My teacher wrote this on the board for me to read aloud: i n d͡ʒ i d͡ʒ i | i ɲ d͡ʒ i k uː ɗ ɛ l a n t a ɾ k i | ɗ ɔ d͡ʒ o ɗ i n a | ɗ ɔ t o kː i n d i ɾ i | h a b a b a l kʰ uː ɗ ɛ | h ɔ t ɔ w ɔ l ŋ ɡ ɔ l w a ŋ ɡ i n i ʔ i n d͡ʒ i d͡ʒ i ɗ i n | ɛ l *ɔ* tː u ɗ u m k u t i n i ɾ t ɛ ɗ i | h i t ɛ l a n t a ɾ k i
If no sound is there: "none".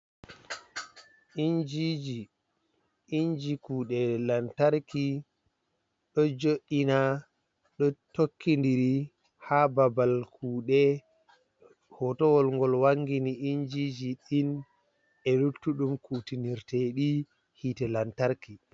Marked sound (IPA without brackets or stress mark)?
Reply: u